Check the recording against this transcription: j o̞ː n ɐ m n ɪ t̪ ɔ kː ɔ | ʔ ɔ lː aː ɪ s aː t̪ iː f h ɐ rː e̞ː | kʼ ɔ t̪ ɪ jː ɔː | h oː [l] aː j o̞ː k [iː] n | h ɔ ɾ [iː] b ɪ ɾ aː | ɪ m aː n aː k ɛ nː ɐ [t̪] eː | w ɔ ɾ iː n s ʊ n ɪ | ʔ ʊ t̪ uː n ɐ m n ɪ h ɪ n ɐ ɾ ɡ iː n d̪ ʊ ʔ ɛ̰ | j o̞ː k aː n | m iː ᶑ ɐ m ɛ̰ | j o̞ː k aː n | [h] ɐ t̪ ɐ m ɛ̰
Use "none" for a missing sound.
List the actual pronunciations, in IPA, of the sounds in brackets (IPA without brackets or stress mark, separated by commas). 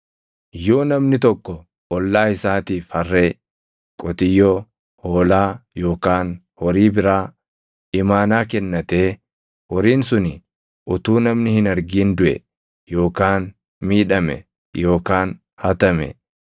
l, aː, iː, t̪, h